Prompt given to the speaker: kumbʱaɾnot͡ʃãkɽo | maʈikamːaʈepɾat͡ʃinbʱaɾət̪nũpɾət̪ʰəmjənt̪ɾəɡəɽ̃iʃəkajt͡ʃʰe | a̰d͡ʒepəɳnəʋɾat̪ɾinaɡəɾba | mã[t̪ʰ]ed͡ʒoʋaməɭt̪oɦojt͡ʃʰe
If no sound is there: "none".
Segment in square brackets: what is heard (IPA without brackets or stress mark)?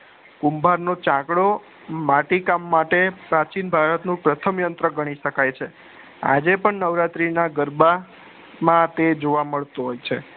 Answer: t̪